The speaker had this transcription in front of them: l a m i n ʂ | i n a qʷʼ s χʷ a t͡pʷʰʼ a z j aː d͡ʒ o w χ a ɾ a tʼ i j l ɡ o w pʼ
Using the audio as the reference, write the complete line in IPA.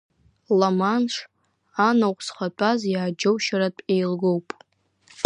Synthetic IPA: l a m a n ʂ | a n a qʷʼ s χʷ a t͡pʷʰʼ a z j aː d͡ʒ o w ʃ a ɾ a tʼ e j l ɡ o w pʼ